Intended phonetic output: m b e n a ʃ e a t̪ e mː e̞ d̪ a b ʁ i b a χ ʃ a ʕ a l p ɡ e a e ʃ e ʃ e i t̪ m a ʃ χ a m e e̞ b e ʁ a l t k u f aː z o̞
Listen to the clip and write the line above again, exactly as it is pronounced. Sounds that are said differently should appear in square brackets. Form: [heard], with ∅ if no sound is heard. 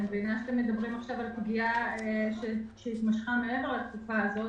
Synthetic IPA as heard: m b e n a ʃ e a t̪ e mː e̞ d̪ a b ʁ i [m] a χ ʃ a [v] a l p ɡ [i] a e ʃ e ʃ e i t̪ m a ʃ χ a m e e̞ [v] e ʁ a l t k u f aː z o̞